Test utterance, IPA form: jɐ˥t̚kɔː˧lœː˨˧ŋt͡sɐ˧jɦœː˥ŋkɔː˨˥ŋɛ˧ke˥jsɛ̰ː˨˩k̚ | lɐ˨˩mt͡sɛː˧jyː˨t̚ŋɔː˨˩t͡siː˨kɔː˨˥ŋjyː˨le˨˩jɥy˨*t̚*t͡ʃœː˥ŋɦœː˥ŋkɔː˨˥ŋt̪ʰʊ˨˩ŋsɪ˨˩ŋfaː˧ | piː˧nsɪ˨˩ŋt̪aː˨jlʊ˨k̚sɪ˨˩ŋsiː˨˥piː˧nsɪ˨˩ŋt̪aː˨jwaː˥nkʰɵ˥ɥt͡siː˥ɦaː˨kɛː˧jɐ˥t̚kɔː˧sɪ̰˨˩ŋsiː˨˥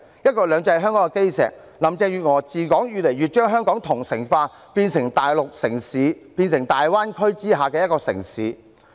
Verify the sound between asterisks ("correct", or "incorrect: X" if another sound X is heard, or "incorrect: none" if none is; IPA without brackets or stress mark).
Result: correct